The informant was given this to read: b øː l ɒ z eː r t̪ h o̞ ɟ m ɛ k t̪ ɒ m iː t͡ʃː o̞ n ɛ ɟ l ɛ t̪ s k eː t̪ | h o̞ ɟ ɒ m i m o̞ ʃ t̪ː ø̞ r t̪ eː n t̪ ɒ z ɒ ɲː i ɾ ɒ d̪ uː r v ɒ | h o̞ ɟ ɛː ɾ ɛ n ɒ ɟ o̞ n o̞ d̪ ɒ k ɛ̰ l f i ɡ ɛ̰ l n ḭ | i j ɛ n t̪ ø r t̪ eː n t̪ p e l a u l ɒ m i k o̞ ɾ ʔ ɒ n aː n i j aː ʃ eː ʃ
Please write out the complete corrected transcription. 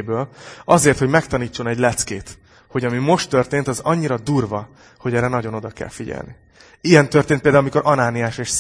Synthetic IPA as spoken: b øː l ɒ z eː r t̪ h o̞ ɟ m ɛ k t̪ ɒ n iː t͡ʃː o̞ n ɛ ɟ l ɛ t̪ s k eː t̪ | h o̞ ɟ ɒ m i m o̞ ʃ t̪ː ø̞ r t̪ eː n t̪ ɒ z ɒ ɲː i ɾ ɒ d̪ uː r v ɒ | h o̞ ɟ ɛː ɾ ɛ n ɒ ɟ o̞ n o̞ d̪ ɒ k ɛ̰ l f i ɟ ɛ̰ l n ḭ | i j ɛ n t̪ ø r t̪ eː n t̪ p e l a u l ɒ m i k o̞ ɾ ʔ ɒ n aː n i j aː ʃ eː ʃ